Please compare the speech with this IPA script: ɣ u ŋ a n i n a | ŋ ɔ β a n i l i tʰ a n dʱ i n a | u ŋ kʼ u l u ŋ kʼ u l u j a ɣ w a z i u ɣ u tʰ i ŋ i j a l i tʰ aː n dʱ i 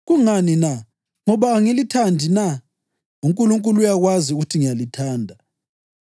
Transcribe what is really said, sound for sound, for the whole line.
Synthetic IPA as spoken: ɣ u ŋ a n i n a | ŋ ɔ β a ŋ i l i tʰ a n dʱ i n a | u ŋ kʼ u l u ŋ kʼ u l u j a ɣ w a z i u ɣ u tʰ i ŋ i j a l i tʰ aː n dʱ a